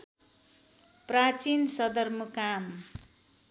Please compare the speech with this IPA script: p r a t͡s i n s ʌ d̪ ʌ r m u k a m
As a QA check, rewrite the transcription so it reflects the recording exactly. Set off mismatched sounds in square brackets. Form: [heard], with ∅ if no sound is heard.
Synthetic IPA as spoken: p r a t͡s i n s ʌ d̪ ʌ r m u k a m